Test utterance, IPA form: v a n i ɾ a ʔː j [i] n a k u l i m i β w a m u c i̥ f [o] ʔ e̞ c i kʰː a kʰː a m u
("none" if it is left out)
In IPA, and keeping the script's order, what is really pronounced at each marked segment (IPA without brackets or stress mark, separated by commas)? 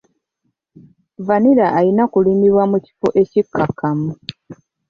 i, o